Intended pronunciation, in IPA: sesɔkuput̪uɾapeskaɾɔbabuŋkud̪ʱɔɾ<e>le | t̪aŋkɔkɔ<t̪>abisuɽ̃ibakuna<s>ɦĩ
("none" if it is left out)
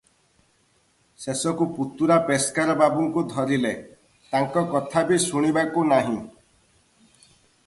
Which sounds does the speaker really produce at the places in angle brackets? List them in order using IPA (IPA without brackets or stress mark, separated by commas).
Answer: i, t̪ʰ, none